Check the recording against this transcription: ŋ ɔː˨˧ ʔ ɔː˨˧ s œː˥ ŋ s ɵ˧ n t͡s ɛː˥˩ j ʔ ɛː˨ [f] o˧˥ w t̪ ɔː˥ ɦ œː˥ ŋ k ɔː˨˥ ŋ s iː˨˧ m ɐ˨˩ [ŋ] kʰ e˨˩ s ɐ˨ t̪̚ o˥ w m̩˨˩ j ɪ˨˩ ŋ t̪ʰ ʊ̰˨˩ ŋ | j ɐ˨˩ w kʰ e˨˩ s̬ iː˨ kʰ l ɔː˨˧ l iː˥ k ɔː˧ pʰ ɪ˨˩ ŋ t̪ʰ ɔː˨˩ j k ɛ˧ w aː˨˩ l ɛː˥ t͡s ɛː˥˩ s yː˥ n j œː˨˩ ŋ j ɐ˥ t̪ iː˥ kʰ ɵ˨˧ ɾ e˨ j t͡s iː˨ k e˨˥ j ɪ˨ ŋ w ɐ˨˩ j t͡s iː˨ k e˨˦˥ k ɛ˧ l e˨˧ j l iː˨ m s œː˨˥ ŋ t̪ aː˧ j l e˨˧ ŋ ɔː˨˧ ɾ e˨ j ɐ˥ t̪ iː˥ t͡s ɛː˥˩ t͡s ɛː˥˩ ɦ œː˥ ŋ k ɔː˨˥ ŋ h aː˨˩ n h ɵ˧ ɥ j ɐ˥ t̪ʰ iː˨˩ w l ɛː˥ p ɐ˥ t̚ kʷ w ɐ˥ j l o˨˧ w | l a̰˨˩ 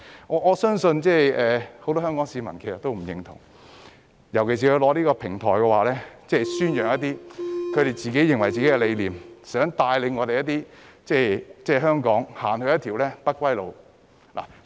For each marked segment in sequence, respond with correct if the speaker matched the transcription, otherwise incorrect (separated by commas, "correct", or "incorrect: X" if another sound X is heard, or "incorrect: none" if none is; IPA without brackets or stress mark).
incorrect: h, incorrect: n